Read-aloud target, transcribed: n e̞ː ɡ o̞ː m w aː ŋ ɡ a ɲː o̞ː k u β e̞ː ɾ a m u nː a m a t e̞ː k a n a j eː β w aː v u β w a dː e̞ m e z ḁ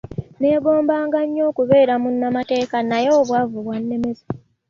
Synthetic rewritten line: n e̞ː ɡ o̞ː m b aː ŋ ɡ a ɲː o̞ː k u β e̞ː ɾ a m u nː a m a t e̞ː k a n a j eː β w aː v u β w a nː e̞ m e z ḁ